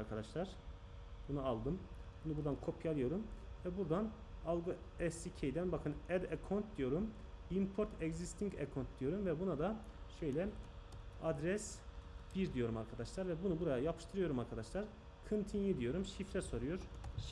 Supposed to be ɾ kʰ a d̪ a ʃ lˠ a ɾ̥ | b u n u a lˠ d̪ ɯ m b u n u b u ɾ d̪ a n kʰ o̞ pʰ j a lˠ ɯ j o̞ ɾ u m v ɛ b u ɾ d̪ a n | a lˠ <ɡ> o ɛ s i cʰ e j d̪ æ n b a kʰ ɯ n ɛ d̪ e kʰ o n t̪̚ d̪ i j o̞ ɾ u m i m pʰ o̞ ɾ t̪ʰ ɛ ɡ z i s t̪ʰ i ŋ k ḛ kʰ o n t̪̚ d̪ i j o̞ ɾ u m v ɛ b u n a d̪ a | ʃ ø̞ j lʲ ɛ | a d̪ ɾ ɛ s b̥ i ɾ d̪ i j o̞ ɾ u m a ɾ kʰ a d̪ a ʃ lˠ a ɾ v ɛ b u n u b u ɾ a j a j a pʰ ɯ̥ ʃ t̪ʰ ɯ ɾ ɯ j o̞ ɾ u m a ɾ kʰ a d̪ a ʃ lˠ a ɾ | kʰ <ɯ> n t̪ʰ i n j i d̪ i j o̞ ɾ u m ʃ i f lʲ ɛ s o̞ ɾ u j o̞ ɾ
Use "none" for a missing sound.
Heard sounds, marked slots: ɡ, ɯ

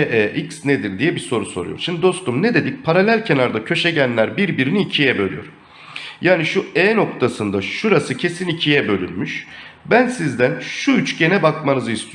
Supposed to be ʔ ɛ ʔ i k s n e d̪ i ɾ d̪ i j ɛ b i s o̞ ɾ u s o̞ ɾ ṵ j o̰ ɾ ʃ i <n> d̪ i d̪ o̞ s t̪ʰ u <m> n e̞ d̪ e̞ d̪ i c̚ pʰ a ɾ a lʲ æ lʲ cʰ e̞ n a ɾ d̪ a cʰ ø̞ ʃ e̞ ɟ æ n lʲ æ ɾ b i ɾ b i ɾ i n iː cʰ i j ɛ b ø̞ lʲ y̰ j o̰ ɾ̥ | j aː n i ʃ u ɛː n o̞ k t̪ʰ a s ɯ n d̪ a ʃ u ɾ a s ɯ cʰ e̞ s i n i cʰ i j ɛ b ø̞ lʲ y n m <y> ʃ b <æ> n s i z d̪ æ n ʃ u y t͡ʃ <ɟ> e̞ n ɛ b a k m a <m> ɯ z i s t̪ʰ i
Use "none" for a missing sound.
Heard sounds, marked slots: m, m, y, æ, ɟ, n

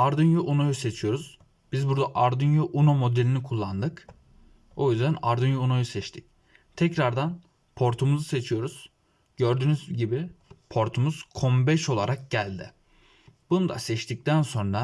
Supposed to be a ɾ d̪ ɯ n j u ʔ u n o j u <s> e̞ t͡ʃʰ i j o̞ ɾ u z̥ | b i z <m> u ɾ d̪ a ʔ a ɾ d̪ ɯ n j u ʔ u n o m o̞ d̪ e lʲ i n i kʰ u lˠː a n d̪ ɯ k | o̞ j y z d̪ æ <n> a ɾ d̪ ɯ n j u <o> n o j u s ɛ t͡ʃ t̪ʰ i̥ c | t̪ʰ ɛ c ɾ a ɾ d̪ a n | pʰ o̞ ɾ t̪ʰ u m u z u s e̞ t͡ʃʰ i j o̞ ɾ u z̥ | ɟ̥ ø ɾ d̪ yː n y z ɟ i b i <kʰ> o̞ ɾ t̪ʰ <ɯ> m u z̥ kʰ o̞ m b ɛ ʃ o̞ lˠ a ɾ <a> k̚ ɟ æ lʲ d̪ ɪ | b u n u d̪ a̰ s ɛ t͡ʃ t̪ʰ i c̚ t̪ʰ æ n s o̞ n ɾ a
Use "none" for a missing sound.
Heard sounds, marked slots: s, b, n, u, pʰ, u, a

